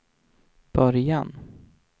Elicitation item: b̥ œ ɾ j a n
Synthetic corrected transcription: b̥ œ ɾ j a n